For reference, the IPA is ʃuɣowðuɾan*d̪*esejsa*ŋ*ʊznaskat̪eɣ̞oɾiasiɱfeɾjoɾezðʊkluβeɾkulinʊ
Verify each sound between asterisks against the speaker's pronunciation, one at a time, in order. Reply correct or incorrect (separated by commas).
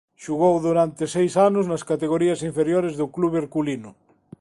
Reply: incorrect, incorrect